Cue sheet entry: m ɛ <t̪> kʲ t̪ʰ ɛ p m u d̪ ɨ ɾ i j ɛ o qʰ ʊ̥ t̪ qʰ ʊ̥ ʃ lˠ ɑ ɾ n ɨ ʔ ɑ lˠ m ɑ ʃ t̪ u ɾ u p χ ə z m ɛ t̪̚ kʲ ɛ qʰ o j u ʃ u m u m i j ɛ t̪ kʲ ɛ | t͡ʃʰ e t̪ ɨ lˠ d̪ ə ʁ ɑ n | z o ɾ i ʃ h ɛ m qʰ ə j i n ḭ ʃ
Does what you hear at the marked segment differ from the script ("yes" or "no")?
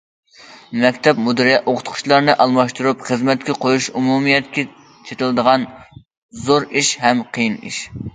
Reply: yes